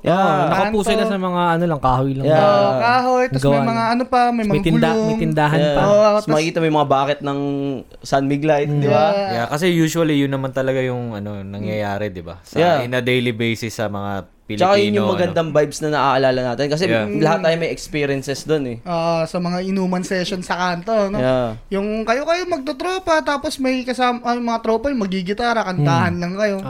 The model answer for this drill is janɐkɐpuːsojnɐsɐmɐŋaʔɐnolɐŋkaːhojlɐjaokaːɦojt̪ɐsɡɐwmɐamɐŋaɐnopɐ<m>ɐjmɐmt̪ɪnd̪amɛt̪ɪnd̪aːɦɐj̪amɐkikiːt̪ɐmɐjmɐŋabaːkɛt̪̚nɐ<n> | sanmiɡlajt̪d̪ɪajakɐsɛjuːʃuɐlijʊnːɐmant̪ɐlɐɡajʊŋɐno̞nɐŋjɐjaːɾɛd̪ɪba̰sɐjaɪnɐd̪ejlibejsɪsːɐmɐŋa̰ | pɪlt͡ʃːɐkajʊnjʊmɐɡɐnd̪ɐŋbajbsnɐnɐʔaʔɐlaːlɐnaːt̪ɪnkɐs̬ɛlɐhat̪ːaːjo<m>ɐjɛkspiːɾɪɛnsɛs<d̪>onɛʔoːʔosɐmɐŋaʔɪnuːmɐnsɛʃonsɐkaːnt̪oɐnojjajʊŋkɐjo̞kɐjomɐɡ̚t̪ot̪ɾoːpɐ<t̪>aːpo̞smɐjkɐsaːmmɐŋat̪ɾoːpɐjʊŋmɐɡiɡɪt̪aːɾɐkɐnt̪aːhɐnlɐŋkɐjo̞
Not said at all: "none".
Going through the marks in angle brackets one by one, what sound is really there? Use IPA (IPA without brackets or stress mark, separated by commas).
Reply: m, ŋ, m, d̪, t̪